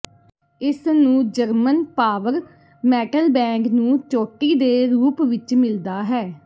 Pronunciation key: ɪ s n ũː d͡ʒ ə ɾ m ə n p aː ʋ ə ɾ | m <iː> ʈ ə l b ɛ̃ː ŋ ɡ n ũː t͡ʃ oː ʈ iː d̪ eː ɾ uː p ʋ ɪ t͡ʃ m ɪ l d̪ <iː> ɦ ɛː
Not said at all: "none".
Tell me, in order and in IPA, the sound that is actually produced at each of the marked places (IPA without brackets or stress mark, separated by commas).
ɛː, aː